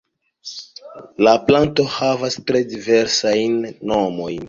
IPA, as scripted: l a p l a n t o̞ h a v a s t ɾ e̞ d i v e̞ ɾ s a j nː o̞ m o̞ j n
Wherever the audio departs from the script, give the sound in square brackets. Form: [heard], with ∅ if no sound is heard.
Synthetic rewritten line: l a p l a n t o̞ h a v a s t ɾ e̞ d i v e̞ ɾ s a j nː o̞ m o̞ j n